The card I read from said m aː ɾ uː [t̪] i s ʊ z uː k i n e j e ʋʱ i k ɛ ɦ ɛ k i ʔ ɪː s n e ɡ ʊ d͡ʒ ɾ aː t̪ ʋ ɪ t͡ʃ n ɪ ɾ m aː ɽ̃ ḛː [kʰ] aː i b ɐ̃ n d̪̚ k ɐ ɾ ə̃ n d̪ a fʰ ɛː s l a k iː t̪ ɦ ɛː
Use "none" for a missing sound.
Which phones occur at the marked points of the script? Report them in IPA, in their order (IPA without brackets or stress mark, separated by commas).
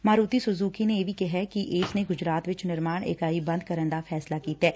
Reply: t̪, k